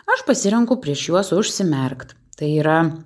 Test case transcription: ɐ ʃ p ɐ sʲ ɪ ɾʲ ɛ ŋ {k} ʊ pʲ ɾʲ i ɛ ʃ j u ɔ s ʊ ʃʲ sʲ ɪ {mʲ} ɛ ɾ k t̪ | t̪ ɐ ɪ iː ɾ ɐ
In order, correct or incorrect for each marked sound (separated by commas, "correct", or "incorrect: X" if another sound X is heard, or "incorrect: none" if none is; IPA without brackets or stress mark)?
correct, correct